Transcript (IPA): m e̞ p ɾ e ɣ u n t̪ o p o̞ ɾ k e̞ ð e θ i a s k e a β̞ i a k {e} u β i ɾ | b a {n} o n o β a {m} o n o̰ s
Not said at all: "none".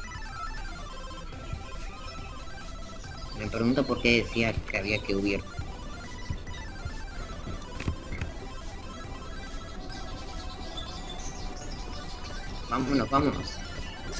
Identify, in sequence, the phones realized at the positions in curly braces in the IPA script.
e, m, m

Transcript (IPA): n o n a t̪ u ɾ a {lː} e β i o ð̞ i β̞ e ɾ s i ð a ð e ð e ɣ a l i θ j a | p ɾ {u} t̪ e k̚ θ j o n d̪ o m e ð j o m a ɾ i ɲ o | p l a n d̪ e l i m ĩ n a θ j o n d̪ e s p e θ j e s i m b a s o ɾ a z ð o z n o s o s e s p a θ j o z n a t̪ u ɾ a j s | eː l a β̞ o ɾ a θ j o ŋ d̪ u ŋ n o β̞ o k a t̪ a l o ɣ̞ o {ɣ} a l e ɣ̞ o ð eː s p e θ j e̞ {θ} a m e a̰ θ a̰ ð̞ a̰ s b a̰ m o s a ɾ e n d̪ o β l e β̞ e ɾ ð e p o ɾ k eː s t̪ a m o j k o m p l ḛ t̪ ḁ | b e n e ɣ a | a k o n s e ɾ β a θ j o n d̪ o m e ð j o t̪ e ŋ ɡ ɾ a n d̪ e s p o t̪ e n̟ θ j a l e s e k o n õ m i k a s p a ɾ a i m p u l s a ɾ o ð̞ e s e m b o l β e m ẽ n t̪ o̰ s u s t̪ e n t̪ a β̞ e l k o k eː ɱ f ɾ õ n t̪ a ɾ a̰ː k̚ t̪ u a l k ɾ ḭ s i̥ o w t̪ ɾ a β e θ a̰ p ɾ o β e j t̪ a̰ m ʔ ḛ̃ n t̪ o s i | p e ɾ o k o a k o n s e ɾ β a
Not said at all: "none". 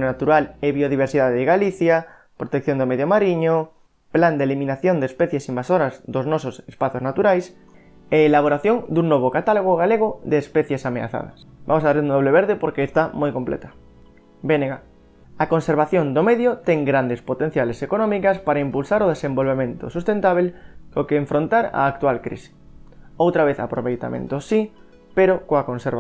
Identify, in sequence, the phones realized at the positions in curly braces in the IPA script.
l, o, ɣ, s

